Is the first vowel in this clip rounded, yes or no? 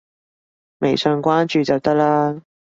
no